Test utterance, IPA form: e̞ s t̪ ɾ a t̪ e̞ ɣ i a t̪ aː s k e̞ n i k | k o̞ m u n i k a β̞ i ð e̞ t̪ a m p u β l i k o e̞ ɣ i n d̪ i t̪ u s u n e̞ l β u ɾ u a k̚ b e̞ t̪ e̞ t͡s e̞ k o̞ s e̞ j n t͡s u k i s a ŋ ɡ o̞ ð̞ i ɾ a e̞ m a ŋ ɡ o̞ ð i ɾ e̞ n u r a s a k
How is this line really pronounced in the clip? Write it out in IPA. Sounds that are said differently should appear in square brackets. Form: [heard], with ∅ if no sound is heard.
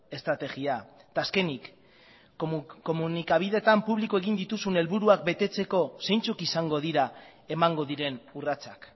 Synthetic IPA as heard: e̞ s t̪ ɾ a t̪ e̞ ɣ i a t̪ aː s k e̞ n i k | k o̞ m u n i k a β̞ i ð e̞ t̪ a m p u β l i k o e̞ ɣ i n d̪ i t̪ u s u n e̞ l β u ɾ u a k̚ b e̞ t̪ e̞ t͡s e̞ k o̞ s e̞ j n t͡s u k i s a ŋ ɡ o̞ ð̞ i ɾ a e̞ m a ŋ ɡ o̞ ð i ɾ e̞ n u r a [t͡s] a k